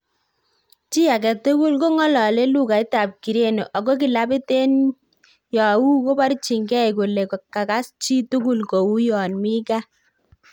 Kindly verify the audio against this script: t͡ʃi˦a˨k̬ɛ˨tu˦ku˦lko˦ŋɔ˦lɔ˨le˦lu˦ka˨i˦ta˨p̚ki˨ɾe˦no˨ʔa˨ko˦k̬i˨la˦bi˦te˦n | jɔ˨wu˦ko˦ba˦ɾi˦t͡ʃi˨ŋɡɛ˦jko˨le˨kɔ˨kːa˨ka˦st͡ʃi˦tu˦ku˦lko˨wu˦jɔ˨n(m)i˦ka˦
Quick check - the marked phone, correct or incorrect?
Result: correct